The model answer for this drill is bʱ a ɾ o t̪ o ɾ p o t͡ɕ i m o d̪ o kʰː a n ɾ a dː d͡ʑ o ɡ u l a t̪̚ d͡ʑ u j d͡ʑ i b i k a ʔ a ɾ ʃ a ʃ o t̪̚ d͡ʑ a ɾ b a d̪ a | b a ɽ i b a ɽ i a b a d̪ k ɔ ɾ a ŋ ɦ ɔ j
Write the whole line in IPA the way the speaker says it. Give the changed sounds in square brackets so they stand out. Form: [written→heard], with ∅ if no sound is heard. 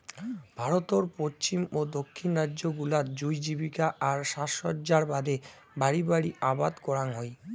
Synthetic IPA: bʱ a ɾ o t̪ o ɾ p o t͡ɕ i m o d̪ o kʰː [a→i] n ɾ a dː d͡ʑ o ɡ u l a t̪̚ d͡ʑ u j d͡ʑ i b i k a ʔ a ɾ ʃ a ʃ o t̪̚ d͡ʑ a ɾ b a d̪ [a→e] | b a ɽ i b a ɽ i a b a d̪ k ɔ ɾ a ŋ ɦ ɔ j